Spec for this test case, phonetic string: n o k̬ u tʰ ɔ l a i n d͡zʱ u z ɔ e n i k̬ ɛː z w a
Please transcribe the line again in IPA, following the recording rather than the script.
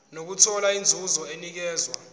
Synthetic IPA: n o k̬ u tʰ ɔ l a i n d͡zʱ u z ɔ e n i k̬ ɛː z w a